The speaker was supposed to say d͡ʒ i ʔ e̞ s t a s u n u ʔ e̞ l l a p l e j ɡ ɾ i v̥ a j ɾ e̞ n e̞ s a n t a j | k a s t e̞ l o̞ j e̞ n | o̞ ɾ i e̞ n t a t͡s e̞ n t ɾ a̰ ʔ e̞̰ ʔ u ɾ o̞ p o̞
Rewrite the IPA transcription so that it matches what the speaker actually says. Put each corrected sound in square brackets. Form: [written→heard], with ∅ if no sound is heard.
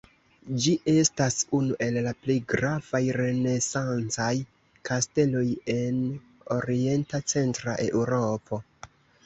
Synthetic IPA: d͡ʒ i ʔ e̞ s t a s u n u ʔ e̞ l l a p l e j ɡ ɾ [i→a] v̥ a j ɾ e̞ n e̞ s a n [t→t͡s] a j | k a s t e̞ l o̞ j e̞ n | o̞ ɾ i e̞ n t a t͡s e̞ n t ɾ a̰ ʔ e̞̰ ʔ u ɾ o̞ p o̞